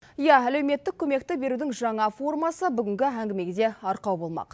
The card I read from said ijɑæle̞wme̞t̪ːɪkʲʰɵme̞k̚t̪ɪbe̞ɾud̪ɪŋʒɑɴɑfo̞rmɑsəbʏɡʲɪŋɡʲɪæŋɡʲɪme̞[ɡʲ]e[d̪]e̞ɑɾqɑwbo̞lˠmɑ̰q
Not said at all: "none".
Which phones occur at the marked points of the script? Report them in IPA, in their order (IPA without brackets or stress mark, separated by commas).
ɡʲ, d̪